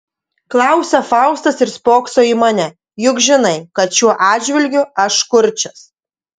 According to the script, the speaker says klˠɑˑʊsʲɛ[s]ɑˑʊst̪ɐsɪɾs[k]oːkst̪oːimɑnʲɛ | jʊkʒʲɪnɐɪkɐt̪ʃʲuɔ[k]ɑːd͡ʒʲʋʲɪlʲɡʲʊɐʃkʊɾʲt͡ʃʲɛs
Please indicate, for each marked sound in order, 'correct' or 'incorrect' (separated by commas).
incorrect, incorrect, incorrect